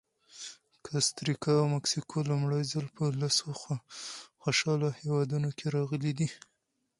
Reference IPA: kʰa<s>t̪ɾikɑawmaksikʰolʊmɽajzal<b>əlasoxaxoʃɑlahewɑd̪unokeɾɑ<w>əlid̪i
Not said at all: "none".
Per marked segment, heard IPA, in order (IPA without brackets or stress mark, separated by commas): s, p, ɣ